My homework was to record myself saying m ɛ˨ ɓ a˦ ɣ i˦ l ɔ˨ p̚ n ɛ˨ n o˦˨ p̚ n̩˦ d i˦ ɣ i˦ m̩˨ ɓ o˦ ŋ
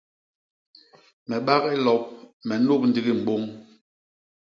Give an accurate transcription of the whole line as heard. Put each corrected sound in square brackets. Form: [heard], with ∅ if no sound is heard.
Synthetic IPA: m ɛ˨ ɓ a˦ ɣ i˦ l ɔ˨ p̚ [m] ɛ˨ n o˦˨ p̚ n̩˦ d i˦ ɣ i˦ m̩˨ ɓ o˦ ŋ